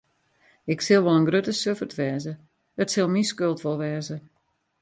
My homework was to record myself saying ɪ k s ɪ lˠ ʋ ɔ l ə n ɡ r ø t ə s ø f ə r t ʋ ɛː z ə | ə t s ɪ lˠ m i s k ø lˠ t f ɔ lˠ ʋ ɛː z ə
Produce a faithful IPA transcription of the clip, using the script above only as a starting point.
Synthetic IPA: ɪ k s ɪ lˠ ʋ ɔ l ə n ɡ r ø t ə s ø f ə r t ʋ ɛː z ə | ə t s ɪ lˠ m i s k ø lˠ t f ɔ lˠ ʋ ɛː z ə